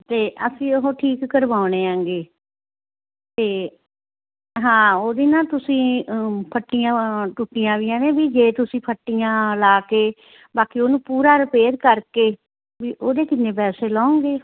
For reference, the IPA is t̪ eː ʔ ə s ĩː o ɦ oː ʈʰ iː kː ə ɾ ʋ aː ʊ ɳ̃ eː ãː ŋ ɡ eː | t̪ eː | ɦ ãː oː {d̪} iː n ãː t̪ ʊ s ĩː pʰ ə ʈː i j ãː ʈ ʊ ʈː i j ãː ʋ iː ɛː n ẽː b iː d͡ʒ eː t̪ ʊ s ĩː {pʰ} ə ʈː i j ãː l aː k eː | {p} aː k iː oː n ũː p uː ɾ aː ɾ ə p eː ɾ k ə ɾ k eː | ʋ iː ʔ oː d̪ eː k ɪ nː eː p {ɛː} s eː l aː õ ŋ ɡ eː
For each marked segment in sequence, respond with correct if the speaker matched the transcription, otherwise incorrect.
correct, correct, incorrect: b, correct

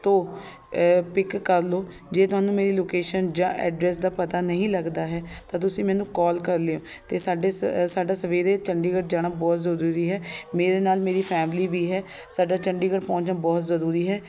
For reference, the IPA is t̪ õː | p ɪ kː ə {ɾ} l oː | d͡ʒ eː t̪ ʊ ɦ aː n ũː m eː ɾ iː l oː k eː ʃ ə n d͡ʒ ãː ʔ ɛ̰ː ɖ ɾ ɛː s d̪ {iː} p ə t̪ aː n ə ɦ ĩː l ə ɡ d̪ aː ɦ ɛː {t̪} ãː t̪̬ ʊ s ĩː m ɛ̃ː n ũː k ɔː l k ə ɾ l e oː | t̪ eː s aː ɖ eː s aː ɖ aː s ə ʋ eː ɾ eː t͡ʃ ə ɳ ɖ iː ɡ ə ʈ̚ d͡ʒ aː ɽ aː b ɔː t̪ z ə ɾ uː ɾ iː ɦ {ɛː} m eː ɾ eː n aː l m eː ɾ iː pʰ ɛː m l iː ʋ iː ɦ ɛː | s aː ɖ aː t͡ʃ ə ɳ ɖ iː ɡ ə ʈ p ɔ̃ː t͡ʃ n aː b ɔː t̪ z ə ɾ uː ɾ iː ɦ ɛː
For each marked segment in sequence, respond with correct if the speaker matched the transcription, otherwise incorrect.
correct, incorrect: aː, correct, correct

